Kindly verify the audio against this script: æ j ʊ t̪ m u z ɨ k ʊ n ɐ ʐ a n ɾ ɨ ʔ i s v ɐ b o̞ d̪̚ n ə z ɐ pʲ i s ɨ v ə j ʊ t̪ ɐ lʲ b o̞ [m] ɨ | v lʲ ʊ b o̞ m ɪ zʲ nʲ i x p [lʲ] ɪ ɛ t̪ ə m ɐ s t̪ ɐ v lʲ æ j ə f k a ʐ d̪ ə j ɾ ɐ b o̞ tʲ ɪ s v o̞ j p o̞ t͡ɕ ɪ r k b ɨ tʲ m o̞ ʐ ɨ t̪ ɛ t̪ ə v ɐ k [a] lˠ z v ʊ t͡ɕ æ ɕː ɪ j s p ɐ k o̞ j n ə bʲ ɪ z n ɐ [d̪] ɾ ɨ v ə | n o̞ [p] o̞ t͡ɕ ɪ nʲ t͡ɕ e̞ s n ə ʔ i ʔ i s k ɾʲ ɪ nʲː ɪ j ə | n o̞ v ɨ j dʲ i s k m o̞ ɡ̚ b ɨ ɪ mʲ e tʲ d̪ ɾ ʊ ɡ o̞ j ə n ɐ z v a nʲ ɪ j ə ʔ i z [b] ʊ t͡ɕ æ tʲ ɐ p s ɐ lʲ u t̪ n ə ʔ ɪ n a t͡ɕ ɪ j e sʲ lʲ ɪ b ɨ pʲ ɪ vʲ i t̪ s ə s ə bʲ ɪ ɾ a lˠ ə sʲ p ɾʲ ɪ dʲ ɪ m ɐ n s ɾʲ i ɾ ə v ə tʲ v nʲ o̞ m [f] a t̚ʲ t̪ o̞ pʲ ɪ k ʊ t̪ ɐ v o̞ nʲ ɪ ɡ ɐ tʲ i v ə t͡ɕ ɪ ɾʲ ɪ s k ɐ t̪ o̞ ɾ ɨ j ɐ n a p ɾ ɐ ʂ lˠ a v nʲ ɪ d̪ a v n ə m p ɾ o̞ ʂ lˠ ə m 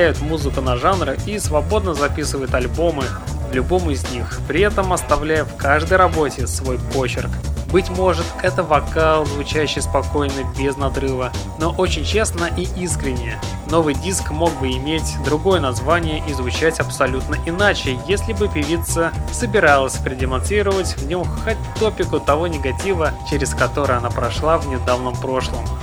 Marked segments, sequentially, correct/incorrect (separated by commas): correct, incorrect, correct, correct, incorrect, incorrect, incorrect